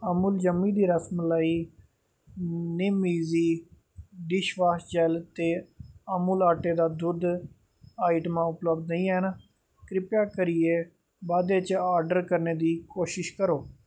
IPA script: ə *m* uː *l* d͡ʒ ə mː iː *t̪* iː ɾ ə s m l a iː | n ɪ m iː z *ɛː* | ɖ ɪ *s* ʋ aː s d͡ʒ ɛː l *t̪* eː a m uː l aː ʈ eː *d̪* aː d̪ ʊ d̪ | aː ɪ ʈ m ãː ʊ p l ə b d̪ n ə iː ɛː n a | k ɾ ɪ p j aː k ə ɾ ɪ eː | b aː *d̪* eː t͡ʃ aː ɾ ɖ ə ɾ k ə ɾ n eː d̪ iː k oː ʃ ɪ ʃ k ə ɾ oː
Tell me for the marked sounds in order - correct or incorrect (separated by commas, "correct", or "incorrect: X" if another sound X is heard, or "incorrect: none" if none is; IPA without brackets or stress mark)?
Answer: correct, correct, incorrect: d̪, incorrect: iː, incorrect: ʃ, correct, correct, correct